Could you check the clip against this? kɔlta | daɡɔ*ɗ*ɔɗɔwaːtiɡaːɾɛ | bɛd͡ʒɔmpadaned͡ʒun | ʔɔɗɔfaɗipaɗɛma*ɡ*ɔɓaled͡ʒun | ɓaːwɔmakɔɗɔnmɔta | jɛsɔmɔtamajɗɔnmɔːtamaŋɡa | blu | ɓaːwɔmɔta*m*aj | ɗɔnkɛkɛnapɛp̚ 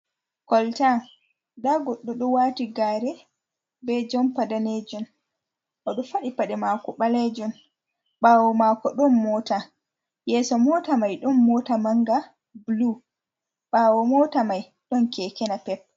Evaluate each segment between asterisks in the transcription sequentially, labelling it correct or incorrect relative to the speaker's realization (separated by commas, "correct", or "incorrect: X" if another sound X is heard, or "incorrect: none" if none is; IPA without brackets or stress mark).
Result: incorrect: ɗː, incorrect: k, correct